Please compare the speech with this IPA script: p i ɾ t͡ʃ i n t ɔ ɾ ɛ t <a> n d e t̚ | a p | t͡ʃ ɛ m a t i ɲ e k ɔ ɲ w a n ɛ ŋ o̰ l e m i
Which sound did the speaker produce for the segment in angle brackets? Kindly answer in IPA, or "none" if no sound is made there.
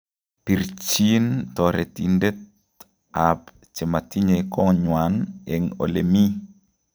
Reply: i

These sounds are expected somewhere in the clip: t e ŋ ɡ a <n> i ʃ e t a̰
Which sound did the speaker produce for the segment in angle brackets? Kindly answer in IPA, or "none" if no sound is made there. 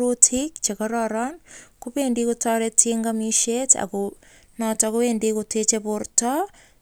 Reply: m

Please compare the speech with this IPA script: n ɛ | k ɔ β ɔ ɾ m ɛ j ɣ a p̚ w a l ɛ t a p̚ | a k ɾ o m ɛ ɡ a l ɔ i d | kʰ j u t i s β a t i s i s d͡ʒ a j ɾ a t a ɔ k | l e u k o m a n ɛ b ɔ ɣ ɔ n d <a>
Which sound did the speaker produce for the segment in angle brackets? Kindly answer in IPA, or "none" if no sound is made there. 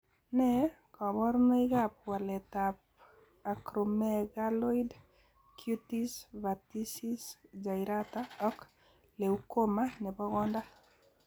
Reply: a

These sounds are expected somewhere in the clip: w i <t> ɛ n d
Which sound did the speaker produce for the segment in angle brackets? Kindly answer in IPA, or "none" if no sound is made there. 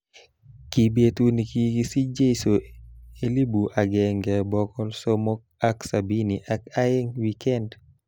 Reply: k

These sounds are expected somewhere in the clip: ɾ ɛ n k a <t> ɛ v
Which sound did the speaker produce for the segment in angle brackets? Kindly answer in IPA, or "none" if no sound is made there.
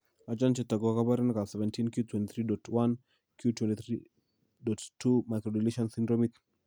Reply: s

